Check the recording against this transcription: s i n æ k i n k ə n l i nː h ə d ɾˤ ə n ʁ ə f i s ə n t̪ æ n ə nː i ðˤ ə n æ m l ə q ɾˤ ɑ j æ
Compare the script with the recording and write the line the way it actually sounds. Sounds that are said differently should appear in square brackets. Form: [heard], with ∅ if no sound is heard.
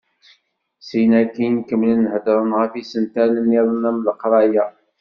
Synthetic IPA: s i n æ k i n k ə [m] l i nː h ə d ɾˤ ə n ʁ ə f i s ə n t̪ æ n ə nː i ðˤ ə n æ m l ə q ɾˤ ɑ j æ